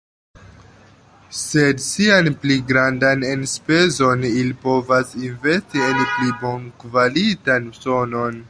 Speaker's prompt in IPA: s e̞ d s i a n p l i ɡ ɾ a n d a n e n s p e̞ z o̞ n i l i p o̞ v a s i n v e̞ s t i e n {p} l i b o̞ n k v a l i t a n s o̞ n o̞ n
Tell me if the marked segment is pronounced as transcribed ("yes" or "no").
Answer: yes